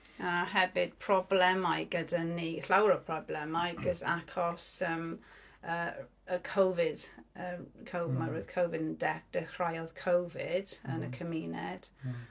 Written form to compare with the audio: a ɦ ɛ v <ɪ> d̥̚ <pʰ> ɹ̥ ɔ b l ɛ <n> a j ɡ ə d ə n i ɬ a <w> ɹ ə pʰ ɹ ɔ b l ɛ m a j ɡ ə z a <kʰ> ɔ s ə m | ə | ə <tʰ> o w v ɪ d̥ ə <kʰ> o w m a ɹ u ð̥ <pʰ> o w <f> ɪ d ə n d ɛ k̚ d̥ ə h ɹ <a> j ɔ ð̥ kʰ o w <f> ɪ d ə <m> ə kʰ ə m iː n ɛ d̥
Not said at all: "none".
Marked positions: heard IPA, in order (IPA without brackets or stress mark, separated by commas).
ɪ, pʰ, m, w, kʰ, kʰ, kʰ, kʰ, v, a, v, n